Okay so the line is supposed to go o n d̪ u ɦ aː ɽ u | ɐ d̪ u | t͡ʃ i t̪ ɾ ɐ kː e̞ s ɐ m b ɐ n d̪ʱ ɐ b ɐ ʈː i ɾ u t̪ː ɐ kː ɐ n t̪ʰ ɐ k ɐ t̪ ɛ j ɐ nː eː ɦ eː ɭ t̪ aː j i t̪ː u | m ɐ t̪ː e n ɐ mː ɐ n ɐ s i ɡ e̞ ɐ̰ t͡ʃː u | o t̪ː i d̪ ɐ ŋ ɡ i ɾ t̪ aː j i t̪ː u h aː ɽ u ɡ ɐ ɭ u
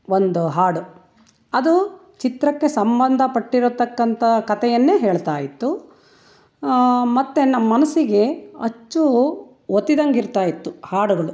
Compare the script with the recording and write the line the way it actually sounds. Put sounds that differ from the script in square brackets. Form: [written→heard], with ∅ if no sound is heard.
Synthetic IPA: o n d̪ u ɦ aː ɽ u | ɐ d̪ u | t͡ʃ i t̪ ɾ ɐ kː e̞ s ɐ m b ɐ n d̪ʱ ɐ [b→p] ɐ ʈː i ɾ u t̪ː ɐ kː ɐ n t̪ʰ ɐ k ɐ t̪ ɛ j ɐ nː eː ɦ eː ɭ t̪ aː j i t̪ː u | m ɐ t̪ː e n ɐ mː ɐ n ɐ s i ɡ e̞ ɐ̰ t͡ʃː u | o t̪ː i d̪ ɐ ŋ ɡ i ɾ t̪ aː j i t̪ː u h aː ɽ u ɡ ɐ ɭ u